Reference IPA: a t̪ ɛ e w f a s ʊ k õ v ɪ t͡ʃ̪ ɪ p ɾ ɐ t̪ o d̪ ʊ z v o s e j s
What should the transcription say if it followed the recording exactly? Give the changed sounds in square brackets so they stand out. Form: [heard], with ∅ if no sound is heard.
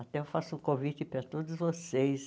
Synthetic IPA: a t̪ ɛ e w f a s ʊ k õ v [i] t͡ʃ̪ ɪ p ɾ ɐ t̪ o d̪ ʊ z v o s e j s